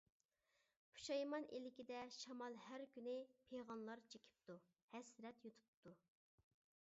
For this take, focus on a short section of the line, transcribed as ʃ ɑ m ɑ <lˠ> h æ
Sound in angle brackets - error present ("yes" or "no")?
no